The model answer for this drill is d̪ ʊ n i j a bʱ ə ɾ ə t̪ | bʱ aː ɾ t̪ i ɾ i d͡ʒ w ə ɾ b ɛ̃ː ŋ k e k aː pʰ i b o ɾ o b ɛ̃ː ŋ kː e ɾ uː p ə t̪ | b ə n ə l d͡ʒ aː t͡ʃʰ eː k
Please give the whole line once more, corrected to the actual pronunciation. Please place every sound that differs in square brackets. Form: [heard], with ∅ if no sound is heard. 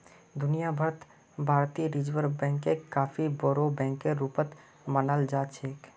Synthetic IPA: d̪ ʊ n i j a bʱ ə ɾ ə t̪ | bʱ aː ɾ t̪ i ɾ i d͡ʒ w ə ɾ b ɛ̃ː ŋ k e k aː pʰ i b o ɾ o b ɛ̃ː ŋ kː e ɾ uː p ə t̪ | [m] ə n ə l d͡ʒ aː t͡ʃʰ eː k

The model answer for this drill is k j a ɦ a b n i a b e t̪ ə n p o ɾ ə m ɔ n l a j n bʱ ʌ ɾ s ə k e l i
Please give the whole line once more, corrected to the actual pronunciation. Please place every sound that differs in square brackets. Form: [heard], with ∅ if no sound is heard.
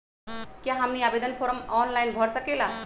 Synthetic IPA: k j a ɦ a [m] n i a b e [d̪] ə n [pʰ] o ɾ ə m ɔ n l a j n bʱ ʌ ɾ s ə k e l [a]

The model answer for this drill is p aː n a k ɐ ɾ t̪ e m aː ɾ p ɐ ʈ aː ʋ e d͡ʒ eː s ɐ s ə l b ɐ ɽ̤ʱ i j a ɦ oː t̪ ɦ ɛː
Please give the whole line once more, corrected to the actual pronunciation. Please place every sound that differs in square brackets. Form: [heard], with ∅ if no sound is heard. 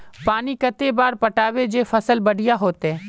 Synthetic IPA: p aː n [i] k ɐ [∅] t̪ e [b] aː ɾ p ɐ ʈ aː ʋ e d͡ʒ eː [f] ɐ s ə l b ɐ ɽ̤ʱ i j a ɦ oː t̪ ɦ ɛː

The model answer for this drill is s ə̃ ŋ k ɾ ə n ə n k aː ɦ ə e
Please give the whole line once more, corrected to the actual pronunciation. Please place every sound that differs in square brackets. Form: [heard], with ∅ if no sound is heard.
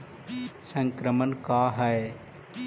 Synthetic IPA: s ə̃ ŋ k ɾ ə [m] ə n k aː ɦ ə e

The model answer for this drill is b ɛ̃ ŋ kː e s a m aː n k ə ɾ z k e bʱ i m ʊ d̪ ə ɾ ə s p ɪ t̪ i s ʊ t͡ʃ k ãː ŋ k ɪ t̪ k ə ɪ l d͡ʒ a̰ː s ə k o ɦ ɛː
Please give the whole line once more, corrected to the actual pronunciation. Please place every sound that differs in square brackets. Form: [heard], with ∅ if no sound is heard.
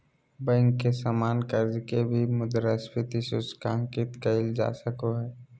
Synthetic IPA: b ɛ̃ ŋ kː e s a m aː n k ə ɾ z k e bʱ i m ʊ d̪ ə ɾ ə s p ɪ t̪ i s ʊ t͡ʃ k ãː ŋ k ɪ t̪ k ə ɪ l d͡ʒ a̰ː s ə k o ɦ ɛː

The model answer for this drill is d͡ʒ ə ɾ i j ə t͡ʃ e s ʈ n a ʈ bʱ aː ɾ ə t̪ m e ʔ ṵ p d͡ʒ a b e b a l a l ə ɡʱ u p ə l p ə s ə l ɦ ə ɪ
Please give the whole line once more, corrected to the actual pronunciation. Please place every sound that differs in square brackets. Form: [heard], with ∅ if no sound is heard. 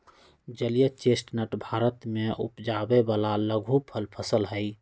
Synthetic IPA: d͡ʒ ə [l] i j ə t͡ʃ e s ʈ n [ə] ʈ bʱ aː ɾ ə t̪ m e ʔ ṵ p d͡ʒ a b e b a l a l ə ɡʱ u [pʰ] ə l [pʰ] ə s ə l ɦ ə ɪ

